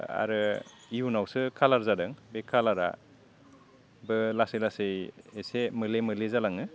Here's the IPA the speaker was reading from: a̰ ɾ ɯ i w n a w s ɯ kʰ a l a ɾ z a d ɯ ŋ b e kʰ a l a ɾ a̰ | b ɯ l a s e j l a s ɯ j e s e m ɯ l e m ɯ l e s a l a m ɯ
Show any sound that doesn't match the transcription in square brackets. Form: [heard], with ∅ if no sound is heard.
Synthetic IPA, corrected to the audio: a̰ ɾ ɯ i [u] n a w s ɯ kʰ a l a ɾ z a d ɯ ŋ b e kʰ a l a ɾ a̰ | b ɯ l a s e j l a s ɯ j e s e m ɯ l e m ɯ l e [z] a l a [ŋ] ɯ